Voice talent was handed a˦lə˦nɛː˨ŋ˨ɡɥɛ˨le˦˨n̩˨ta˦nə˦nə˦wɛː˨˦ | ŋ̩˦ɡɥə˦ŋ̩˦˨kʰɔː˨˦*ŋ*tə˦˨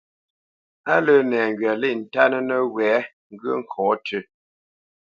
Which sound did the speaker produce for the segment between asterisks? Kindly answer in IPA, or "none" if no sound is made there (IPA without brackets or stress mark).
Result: none